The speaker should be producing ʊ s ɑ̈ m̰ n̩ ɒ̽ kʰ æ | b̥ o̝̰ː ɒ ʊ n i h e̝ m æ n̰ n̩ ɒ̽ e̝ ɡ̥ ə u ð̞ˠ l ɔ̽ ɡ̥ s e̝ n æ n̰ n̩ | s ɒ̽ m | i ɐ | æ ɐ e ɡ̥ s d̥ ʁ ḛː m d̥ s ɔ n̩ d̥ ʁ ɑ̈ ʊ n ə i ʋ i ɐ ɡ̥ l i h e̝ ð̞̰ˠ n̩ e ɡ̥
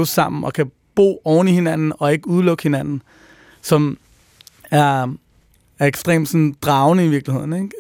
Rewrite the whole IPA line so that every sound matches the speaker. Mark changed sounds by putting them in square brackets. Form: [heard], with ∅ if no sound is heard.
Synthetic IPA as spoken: ʊ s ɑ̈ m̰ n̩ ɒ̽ kʰ æ | b̥ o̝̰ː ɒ ʊ n i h e̝ [n] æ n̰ n̩ ɒ̽ e̝ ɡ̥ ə u ð̞ˠ l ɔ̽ ɡ̥ [h] e̝ n æ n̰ n̩ | s ɒ̽ m | [æ] ɐ | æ ɐ e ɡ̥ s d̥ ʁ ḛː m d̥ s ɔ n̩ d̥ ʁ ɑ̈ ʊ n ə i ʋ i ɐ ɡ̥ l i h e̝ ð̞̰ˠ n̩ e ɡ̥